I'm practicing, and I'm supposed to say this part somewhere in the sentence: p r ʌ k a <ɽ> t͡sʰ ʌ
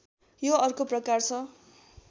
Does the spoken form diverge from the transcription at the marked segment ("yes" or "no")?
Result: yes